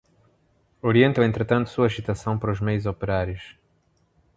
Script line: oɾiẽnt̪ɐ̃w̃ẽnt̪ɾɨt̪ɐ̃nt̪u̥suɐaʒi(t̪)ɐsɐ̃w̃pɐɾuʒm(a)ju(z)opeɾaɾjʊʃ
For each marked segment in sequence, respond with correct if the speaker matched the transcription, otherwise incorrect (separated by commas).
correct, incorrect, correct